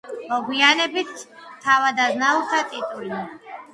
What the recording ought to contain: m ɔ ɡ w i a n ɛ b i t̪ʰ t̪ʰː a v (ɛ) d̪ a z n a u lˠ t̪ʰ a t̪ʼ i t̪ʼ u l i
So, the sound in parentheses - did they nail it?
no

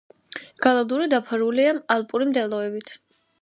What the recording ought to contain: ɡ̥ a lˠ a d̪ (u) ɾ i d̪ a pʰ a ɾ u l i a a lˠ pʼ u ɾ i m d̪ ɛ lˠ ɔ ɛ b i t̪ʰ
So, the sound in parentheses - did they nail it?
yes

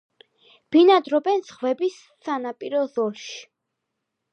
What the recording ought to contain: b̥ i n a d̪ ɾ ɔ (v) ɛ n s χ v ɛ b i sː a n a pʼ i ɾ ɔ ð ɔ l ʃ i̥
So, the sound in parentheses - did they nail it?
no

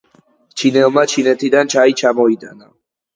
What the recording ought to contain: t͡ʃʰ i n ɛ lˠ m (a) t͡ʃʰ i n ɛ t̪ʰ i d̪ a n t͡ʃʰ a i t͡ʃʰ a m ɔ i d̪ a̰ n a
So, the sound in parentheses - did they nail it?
yes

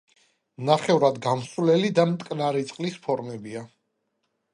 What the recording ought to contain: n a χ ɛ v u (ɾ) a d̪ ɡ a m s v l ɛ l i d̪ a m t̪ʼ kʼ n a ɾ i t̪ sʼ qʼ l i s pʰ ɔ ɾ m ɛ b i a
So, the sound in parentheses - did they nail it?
yes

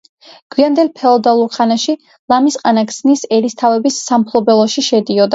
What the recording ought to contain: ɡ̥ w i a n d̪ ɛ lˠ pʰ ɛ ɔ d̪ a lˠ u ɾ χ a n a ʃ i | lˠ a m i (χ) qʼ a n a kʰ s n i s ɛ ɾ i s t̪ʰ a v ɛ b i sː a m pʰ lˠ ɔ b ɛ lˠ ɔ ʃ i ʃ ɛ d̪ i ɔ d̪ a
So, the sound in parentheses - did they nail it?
no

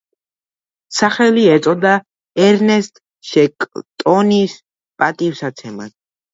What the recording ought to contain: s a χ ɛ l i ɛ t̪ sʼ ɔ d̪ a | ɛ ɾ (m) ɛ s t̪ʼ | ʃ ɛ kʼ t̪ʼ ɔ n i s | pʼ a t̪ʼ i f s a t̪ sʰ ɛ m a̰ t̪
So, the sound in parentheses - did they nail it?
no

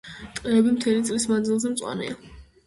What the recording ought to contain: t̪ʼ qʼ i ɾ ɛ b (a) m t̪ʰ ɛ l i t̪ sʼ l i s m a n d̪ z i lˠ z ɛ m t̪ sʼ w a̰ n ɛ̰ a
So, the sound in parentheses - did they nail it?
no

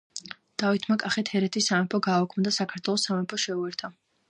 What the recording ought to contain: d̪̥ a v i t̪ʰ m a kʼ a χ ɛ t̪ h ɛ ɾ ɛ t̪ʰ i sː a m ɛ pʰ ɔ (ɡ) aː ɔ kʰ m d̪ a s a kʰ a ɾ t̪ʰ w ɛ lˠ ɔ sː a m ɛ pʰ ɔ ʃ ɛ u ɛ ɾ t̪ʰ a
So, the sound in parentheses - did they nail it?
yes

